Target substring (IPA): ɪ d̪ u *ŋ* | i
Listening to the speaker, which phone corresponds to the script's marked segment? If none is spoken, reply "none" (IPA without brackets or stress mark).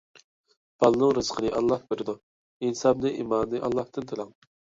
none